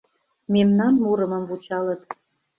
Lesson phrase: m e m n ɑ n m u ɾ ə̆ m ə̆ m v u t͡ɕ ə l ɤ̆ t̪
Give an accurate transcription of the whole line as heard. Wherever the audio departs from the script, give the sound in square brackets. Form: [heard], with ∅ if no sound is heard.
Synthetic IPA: m e m n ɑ n m u ɾ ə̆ m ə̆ m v u t͡ɕ [ɑ] l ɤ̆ t̪